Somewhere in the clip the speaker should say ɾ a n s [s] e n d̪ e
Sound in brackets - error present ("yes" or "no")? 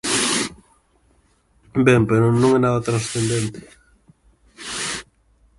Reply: yes